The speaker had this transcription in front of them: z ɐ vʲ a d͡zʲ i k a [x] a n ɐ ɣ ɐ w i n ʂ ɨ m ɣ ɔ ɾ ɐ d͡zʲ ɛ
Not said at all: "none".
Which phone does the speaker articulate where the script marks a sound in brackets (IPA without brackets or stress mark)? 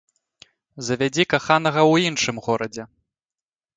x